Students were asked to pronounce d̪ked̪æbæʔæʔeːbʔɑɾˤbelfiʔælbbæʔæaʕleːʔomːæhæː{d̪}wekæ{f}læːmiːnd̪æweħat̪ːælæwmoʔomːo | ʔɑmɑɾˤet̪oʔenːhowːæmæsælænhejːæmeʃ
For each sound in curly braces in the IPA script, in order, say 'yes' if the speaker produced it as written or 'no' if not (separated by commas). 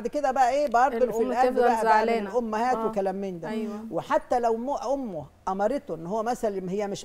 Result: no, no